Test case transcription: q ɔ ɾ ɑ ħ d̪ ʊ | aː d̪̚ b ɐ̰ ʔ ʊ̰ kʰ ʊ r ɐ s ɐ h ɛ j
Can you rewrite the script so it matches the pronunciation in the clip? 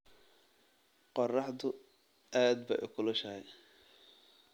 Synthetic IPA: q ɔ r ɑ ħ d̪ ʊ | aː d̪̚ b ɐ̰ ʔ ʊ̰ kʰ ʊ l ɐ ʃ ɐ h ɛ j